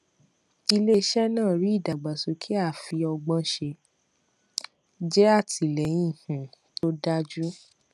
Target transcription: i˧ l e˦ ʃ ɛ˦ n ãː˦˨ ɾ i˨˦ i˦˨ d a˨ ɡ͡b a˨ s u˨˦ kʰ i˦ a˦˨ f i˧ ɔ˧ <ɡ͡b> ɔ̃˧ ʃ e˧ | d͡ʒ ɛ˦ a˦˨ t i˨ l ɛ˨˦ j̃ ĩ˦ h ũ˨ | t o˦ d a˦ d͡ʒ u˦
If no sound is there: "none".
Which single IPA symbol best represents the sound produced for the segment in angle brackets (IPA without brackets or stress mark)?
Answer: ɡ͡b